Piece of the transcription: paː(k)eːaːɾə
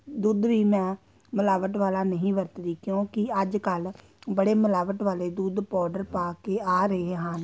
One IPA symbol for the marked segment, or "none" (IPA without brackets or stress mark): k